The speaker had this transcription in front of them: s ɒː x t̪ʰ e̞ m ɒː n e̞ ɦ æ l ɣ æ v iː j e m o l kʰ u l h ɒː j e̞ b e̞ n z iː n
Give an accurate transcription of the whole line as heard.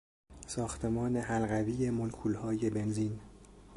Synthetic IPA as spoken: s ɒː x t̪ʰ e̞ m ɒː n e̞ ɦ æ l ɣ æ v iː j e m o l kʰ u l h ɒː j e̞ b e̞ n z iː n